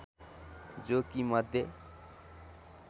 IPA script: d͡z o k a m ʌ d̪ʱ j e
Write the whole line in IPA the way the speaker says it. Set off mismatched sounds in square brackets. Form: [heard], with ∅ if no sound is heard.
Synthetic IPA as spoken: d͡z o k [i] m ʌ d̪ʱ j e